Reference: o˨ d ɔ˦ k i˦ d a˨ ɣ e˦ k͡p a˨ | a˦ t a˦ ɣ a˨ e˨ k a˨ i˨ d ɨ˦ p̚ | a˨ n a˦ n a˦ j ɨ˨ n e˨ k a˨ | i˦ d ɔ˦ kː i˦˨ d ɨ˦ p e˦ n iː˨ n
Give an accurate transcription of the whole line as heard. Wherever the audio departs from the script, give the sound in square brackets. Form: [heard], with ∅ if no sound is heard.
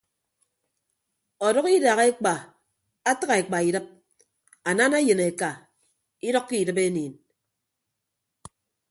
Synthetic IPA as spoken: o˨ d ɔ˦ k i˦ d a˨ ɣ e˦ k͡p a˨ | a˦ t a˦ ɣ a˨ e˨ [k͡p] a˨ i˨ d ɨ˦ p̚ | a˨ n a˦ n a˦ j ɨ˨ n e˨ k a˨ | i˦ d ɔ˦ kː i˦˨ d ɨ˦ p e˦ n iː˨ n